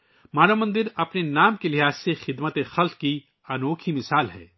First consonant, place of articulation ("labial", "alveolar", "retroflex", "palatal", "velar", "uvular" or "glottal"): labial